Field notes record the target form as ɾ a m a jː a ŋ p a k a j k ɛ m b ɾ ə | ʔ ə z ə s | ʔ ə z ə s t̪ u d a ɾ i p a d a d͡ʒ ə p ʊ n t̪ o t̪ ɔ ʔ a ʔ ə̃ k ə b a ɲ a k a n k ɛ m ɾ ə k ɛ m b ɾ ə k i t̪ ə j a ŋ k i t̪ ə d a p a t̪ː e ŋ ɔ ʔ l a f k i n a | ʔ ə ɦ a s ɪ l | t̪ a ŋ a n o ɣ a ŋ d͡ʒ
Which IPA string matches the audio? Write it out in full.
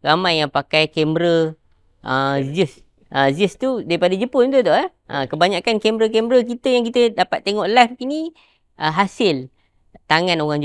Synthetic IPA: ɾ a m a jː a ŋ p a k a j k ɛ m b ɾ ə | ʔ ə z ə s | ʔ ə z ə s t̪ u d a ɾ i p a d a d͡ʒ ə p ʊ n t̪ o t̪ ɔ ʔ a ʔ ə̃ k ə b a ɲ a k a n k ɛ m ɾ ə k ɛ m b ɾ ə k i t̪ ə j a ŋ k i t̪ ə d a p a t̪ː e ŋ ɔ ʔ l a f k i n i | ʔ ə ɦ a s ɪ l | t̪ a ŋ a n o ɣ a ŋ d͡ʒ